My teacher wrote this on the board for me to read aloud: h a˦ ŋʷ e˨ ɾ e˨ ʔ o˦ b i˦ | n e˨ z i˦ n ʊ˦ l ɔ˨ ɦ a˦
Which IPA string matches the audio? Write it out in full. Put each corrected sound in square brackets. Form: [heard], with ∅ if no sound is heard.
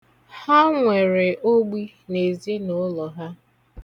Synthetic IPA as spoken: h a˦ ŋʷ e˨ ɾ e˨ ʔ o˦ [ɡ͡b] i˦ | n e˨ z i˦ n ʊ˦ l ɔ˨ ɦ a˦